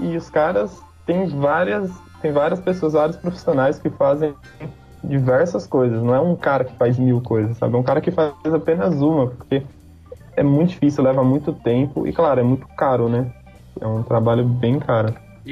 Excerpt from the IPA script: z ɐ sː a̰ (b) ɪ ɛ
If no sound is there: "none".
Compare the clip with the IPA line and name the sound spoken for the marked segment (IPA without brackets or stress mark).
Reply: b